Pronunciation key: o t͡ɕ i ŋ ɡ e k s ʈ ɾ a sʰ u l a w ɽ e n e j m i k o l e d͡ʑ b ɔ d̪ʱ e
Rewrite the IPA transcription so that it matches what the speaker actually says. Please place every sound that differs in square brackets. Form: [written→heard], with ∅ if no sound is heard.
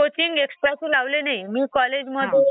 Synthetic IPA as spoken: o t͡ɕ i ŋ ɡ e k s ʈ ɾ a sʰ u l a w [ɽ→l] e n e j m i k [o→ɔ] l e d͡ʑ [b→m] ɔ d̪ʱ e